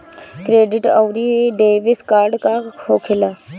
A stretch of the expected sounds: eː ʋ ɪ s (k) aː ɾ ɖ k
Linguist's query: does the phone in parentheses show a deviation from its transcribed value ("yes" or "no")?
no